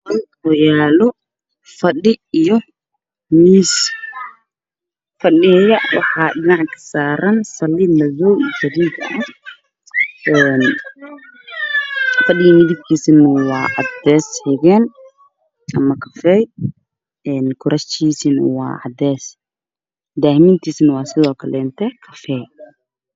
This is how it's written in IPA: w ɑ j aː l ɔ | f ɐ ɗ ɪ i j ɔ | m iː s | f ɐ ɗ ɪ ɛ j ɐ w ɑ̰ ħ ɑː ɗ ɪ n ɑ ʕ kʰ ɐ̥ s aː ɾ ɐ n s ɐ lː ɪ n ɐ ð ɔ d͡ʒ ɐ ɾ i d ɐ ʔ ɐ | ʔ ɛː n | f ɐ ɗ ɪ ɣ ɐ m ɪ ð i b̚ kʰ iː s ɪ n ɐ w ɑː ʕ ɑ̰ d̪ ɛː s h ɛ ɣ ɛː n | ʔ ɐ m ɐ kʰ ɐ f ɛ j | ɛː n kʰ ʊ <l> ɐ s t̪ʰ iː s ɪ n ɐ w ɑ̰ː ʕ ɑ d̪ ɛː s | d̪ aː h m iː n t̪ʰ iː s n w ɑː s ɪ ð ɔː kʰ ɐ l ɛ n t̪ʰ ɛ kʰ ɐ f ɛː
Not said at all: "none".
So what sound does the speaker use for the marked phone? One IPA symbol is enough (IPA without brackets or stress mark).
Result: ɾ